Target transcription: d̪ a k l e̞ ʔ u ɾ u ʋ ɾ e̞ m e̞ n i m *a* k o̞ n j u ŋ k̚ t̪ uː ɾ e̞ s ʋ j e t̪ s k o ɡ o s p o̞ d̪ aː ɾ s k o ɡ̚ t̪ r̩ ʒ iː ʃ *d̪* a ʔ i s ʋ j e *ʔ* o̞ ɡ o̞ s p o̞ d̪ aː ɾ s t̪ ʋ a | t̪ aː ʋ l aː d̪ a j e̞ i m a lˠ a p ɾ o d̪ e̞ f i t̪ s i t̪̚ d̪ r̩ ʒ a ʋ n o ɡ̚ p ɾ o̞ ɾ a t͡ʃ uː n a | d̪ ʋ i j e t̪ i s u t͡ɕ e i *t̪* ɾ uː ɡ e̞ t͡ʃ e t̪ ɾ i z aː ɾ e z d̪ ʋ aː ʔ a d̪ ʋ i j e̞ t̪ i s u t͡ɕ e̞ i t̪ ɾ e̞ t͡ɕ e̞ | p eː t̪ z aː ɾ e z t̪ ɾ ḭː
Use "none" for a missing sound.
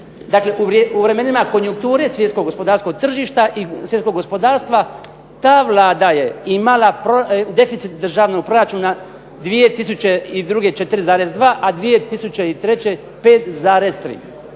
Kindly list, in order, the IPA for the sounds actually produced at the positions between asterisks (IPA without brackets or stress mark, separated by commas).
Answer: a, t̪, k, d̪